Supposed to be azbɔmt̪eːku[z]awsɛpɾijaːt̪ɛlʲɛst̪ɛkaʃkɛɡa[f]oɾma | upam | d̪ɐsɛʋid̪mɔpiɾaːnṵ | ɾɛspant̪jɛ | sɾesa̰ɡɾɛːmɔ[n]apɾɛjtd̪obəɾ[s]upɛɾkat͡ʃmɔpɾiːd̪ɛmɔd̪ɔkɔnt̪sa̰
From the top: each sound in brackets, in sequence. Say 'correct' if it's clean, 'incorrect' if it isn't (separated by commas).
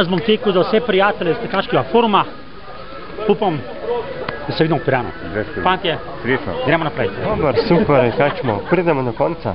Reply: correct, correct, correct, correct